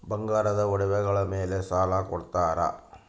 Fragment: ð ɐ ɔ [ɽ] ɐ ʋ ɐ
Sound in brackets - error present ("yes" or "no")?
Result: no